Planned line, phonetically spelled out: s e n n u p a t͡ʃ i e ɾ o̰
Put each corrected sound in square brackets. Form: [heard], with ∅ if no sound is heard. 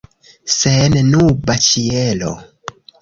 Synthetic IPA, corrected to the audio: s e n n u [b] a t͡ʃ i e [l] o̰